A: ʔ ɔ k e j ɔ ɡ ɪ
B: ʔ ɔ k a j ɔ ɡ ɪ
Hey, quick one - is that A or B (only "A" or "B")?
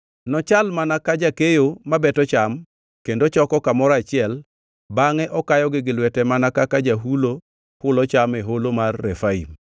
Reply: B